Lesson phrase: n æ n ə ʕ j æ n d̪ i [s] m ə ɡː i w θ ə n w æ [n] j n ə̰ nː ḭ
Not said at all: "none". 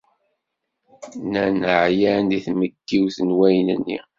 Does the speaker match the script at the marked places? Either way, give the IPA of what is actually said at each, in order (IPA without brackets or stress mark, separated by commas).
θ, none